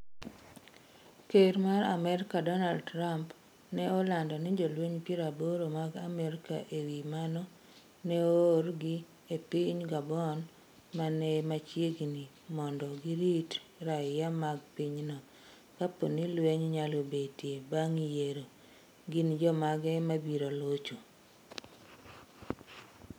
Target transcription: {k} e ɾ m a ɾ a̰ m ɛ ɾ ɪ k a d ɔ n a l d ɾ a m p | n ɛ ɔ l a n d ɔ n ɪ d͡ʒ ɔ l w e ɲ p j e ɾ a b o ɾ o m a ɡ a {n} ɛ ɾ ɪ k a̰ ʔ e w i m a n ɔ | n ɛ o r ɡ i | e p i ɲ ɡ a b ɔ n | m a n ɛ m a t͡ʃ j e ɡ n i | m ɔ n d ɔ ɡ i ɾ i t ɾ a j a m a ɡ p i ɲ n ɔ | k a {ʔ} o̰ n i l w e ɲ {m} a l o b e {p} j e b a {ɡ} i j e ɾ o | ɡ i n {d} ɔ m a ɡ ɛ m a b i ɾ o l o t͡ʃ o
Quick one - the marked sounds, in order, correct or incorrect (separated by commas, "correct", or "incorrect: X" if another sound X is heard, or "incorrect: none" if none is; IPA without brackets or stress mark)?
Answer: correct, incorrect: m, incorrect: p, incorrect: ɲ, incorrect: t, incorrect: ŋ, incorrect: d͡ʒ